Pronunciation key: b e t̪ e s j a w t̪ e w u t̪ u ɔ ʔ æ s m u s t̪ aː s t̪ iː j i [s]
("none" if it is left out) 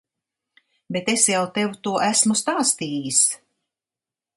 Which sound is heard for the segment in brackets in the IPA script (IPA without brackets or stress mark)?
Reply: s